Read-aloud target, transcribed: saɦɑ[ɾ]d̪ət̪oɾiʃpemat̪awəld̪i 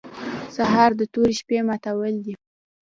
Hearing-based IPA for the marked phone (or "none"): ɾ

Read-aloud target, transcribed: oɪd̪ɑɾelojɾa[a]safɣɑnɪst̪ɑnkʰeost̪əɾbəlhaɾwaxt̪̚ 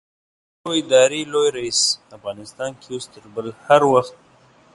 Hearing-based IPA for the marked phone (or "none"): i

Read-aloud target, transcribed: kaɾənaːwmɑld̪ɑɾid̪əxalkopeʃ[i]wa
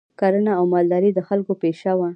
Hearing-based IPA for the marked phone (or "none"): a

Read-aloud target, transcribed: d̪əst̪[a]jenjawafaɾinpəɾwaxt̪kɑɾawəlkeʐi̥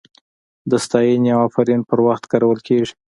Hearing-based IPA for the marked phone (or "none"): ɑ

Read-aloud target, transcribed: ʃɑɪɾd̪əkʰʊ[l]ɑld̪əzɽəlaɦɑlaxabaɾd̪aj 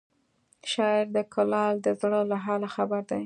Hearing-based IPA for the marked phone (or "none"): l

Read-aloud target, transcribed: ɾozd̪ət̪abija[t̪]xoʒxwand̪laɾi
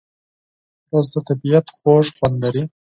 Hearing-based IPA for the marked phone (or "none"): t̪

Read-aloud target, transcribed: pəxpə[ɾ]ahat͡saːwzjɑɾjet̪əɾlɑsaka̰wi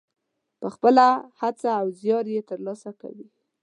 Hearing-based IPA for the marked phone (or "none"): l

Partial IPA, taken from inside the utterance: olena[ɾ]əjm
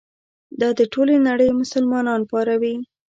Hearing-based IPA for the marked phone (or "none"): ɽ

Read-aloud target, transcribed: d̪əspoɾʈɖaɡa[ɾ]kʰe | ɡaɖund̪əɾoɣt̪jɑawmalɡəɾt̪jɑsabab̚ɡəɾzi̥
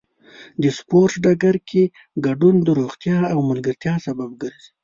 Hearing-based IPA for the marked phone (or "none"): ɾ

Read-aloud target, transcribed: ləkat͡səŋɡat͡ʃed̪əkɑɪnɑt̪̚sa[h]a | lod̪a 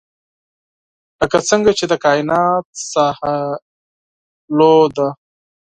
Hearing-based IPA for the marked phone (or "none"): h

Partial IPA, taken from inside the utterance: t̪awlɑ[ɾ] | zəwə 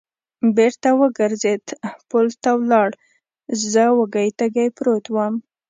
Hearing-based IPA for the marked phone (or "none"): ɽ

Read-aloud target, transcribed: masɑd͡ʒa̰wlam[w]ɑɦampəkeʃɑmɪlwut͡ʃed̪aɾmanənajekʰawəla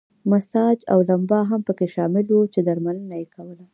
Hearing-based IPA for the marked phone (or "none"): b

